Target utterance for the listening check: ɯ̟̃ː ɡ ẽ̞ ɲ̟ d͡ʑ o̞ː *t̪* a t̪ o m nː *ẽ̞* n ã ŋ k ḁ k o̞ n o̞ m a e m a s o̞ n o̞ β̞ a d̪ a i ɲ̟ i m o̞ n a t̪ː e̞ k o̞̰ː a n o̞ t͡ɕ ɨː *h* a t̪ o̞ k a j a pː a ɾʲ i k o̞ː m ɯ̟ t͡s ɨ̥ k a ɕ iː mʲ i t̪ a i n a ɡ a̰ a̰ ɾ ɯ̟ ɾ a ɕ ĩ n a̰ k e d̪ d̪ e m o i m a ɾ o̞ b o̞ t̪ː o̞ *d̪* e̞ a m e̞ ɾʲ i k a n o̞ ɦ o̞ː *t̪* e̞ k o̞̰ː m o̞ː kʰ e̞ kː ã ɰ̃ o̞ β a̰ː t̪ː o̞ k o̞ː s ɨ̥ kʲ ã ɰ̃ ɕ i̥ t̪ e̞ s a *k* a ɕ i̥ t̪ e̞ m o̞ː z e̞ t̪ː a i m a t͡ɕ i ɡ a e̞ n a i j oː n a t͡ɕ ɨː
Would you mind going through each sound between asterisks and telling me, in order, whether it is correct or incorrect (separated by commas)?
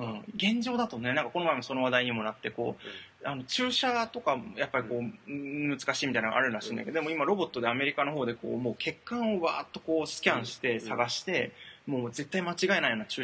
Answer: incorrect, incorrect, incorrect, correct, incorrect, incorrect